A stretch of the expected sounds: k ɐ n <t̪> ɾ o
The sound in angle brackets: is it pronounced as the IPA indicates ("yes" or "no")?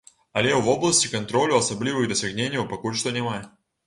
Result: yes